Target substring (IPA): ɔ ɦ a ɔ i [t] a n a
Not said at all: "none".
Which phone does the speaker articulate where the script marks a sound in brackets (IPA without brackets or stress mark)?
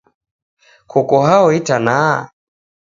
t